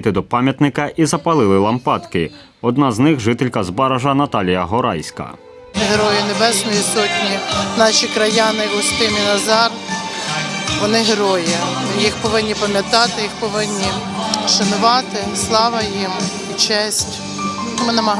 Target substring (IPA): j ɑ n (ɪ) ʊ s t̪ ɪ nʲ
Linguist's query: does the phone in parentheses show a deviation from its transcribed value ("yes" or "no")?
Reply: no